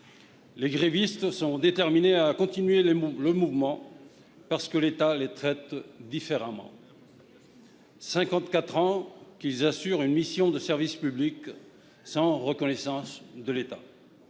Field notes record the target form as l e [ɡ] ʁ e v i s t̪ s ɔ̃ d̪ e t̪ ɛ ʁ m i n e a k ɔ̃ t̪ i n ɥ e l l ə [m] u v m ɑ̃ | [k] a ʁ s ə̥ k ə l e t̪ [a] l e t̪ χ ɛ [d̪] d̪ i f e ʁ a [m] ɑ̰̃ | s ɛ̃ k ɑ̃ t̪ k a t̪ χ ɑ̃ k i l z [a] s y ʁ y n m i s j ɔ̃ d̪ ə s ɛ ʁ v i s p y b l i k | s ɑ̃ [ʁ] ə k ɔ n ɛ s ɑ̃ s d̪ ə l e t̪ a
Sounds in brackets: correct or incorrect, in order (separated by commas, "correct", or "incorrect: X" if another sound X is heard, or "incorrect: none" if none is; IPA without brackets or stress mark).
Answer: correct, correct, incorrect: p, correct, incorrect: t̪, correct, correct, correct